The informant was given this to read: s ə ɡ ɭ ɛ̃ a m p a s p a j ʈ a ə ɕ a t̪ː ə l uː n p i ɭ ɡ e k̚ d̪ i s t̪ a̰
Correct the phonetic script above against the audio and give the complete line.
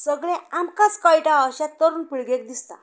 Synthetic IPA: s ə ɡ ɭ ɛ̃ a m k a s k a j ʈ a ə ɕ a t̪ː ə ɾ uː n p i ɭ ɡ e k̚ d̪ i s t̪ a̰